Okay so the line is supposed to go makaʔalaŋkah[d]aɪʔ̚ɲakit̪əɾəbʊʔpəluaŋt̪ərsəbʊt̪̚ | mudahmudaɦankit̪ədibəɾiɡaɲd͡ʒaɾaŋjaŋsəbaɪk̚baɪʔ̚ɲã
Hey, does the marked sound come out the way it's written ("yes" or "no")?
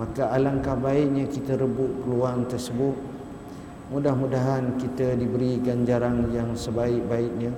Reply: no